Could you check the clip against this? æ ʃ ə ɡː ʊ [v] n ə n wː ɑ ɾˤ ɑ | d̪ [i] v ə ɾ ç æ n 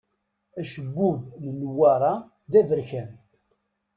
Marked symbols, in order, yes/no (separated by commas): yes, no